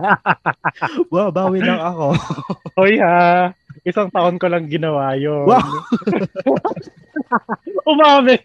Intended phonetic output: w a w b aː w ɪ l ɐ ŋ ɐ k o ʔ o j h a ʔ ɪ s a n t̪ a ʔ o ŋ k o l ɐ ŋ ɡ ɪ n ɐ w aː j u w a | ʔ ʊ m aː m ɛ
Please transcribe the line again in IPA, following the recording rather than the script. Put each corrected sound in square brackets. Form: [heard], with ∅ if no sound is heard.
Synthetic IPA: w a w b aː w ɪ l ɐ ŋ ɐ k o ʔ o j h a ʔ ɪ s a [ŋ] t̪ [ɐ] ʔ o [n] k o l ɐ ŋ ɡ ɪ n ɐ w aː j [o] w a | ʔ ʊ m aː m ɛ